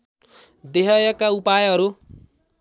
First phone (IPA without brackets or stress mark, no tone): d̪